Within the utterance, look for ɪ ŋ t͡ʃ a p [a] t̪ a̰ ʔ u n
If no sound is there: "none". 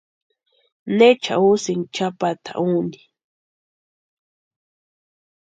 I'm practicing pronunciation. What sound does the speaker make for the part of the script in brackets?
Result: a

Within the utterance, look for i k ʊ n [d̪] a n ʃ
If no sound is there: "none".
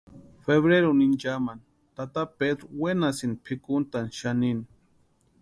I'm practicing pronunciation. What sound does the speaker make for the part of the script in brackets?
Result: t̪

